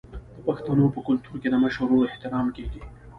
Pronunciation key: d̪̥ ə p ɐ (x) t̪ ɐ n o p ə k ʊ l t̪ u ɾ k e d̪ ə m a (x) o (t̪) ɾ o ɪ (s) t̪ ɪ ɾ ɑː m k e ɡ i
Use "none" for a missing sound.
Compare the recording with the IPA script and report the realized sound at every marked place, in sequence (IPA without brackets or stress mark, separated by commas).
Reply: x, ʃ, none, h